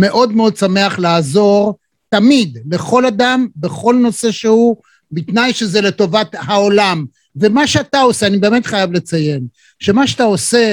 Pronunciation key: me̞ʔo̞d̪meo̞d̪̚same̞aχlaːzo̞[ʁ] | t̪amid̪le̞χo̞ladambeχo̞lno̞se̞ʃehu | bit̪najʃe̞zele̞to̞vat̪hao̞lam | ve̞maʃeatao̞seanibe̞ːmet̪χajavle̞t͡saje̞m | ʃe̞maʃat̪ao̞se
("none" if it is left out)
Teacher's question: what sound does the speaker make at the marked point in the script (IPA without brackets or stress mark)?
ʁ